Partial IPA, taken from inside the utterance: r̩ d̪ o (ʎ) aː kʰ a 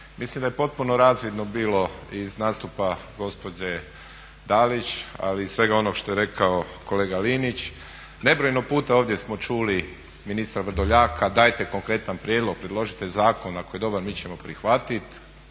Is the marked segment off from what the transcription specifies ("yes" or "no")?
no